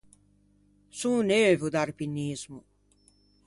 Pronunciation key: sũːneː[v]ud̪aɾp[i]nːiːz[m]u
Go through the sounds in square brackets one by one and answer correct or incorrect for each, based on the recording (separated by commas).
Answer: correct, correct, correct